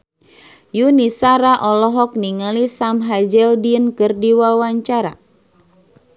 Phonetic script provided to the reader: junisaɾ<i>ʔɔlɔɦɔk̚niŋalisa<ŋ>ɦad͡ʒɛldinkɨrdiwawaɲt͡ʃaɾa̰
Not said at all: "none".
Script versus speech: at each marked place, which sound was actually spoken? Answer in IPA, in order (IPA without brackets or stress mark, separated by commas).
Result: a, m